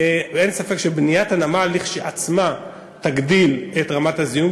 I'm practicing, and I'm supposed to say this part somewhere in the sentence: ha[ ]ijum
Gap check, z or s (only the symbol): z